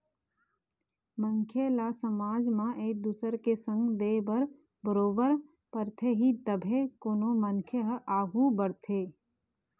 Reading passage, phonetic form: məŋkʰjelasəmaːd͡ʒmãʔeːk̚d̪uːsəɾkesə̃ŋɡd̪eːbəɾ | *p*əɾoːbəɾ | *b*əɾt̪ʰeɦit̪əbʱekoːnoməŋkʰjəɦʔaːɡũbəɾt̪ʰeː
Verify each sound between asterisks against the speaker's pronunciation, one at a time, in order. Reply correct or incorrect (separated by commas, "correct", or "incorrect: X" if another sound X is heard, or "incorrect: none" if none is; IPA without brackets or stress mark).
incorrect: b, incorrect: p